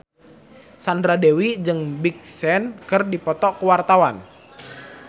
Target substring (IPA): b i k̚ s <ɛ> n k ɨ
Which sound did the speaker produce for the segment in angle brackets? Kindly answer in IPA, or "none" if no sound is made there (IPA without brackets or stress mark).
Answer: ɛ